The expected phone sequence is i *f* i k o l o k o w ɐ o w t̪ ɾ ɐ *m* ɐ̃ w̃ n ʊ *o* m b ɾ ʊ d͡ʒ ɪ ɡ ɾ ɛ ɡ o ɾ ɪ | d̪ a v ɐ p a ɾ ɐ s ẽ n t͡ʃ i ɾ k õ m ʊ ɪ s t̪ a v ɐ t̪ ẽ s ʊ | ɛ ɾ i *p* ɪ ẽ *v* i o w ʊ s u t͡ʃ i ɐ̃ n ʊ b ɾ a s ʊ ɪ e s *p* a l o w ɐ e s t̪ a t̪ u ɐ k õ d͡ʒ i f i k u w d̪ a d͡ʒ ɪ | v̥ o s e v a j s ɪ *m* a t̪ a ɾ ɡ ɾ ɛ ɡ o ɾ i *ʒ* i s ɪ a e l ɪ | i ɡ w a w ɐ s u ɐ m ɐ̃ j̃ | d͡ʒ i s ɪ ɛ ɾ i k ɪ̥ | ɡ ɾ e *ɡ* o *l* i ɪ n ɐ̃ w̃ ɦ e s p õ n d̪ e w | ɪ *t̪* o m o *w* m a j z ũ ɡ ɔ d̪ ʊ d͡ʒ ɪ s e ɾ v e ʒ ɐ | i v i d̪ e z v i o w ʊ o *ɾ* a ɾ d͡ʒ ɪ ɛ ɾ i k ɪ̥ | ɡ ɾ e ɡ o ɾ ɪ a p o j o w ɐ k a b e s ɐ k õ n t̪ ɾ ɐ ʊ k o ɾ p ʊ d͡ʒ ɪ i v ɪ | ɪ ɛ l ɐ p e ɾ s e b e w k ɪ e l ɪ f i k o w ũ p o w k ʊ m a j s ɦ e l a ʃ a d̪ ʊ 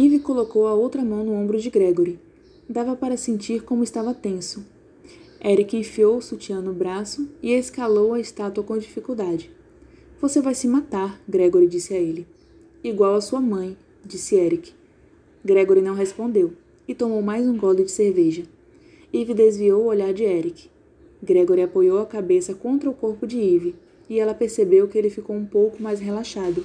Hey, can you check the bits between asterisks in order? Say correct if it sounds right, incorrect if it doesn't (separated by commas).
incorrect, correct, incorrect, incorrect, incorrect, incorrect, correct, incorrect, correct, incorrect, correct, correct, incorrect